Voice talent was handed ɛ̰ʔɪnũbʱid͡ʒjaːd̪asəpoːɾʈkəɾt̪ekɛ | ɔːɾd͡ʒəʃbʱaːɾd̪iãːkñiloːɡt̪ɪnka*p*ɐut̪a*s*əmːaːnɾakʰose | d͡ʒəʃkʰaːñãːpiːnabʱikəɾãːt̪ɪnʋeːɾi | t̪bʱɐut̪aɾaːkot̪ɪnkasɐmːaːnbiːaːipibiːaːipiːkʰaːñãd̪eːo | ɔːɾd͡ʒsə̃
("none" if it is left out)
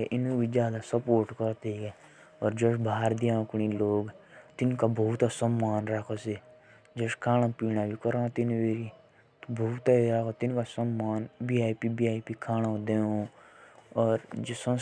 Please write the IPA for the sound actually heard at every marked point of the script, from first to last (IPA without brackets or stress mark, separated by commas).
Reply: b, s